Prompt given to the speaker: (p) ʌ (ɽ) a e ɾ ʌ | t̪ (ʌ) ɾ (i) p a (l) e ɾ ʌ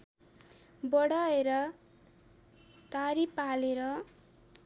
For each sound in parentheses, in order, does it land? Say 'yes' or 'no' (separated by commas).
no, yes, no, yes, yes